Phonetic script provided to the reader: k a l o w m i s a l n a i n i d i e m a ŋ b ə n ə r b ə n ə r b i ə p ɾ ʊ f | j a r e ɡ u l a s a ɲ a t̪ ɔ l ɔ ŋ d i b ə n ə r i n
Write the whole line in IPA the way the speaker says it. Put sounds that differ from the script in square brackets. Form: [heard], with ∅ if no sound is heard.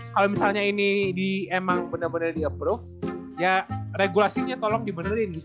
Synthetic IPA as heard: k a l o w m i s a l [ɲ] a i n i d i e m a ŋ b ə n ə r b ə n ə r [d] i ə p ɾ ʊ f | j a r e ɡ u l a s [i] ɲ a t̪ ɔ l ɔ ŋ d i b ə n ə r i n